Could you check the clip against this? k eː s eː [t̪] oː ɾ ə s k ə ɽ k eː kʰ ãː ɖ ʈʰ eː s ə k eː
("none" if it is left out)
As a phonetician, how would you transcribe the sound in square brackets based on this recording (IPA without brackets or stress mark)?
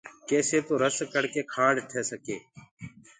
t̪